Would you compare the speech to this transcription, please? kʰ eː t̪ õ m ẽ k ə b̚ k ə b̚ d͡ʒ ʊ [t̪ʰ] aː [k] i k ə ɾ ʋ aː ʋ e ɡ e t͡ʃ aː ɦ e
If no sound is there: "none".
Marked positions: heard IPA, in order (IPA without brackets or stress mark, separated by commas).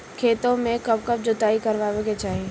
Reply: t̪, none